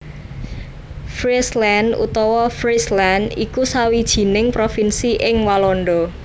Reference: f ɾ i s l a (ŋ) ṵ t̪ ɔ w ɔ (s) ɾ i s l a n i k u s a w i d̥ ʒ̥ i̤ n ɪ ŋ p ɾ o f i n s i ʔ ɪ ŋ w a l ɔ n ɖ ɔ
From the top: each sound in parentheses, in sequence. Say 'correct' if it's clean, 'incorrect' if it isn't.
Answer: incorrect, incorrect

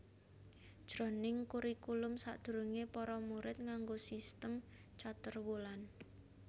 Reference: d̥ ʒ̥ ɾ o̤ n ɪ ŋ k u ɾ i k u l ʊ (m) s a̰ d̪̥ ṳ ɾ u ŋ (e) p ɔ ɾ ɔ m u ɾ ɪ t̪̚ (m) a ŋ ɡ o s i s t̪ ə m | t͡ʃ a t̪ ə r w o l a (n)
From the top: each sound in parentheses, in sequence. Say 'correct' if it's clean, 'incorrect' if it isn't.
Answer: correct, correct, incorrect, correct

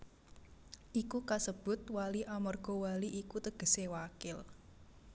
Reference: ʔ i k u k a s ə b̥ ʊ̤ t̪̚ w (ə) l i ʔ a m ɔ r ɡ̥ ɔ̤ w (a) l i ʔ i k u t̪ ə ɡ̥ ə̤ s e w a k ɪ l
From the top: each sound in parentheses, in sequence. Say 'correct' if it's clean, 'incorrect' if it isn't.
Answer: incorrect, correct

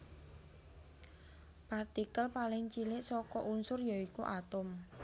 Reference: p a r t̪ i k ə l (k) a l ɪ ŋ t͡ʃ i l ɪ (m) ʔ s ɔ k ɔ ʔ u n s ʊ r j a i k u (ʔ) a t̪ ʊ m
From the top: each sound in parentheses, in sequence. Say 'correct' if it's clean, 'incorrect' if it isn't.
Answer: incorrect, incorrect, correct

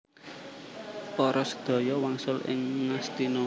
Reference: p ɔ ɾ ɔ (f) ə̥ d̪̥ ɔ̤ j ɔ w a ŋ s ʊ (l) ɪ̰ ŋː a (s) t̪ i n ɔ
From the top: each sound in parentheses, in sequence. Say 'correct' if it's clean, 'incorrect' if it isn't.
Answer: incorrect, correct, correct

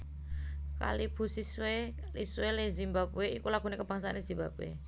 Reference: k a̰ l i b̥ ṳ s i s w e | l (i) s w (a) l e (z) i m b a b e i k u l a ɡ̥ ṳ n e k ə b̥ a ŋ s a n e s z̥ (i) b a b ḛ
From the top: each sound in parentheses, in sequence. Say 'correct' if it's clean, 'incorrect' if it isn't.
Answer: correct, incorrect, correct, correct

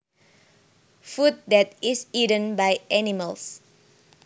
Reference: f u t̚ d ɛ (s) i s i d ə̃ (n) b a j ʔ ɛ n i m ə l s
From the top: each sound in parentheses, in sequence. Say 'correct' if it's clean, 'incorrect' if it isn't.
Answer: incorrect, correct

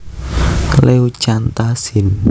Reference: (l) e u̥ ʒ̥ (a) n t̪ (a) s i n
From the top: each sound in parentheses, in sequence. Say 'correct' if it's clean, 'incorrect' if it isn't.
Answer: correct, correct, correct

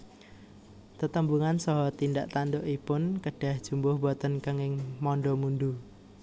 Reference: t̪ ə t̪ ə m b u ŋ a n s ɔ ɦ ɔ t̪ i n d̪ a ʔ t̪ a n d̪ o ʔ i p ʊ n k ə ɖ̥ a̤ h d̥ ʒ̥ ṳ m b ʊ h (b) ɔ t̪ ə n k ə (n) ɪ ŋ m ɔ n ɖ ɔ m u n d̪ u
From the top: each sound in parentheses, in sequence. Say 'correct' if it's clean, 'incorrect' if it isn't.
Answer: correct, incorrect

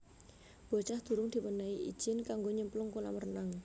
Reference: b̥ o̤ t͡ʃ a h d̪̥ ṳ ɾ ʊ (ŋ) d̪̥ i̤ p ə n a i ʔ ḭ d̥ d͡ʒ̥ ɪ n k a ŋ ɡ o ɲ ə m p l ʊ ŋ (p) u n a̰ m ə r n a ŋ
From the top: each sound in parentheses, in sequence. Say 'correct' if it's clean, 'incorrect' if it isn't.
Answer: correct, incorrect

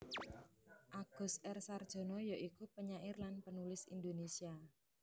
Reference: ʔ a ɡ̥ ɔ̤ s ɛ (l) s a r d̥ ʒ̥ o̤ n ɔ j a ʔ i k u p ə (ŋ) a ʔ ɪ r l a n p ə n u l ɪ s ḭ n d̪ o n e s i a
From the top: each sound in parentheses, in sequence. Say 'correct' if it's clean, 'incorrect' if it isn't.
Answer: incorrect, incorrect

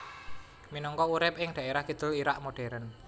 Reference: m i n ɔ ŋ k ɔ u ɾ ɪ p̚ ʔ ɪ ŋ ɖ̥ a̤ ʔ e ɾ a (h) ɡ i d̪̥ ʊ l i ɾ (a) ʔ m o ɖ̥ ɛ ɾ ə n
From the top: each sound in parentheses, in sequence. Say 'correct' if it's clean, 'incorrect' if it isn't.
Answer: correct, correct

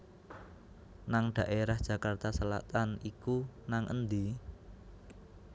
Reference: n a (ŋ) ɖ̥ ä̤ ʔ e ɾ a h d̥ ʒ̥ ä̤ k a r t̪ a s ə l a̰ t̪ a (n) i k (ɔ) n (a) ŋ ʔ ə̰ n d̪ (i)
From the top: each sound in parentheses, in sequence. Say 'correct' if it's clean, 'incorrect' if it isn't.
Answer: correct, correct, incorrect, correct, correct

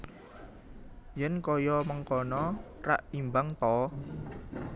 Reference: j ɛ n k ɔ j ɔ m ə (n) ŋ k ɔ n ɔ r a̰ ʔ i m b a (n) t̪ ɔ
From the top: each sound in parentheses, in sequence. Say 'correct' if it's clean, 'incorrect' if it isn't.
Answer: incorrect, incorrect

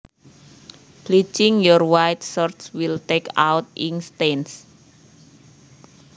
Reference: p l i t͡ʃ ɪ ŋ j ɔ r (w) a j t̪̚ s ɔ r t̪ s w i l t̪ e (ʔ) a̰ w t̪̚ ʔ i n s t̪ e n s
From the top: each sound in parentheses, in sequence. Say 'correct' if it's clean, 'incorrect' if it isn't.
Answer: correct, incorrect

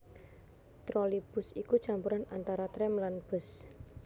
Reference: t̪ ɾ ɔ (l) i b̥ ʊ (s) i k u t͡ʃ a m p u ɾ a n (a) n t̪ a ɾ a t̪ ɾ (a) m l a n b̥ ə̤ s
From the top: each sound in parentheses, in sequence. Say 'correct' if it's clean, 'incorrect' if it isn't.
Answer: correct, correct, correct, incorrect

